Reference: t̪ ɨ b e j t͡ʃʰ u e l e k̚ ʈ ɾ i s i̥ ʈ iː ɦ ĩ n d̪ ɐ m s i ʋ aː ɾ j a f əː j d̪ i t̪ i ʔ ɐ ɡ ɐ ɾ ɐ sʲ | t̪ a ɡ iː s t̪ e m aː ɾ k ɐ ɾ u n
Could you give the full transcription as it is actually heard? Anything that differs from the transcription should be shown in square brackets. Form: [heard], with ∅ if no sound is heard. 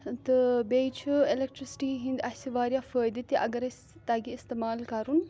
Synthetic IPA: t̪ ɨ b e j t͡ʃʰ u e l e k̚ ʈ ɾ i s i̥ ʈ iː ɦ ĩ n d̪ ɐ [∅] s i ʋ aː ɾ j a f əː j d̪ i t̪ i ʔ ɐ ɡ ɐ ɾ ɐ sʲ | t̪ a ɡ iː s t̪ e m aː [l] k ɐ ɾ u n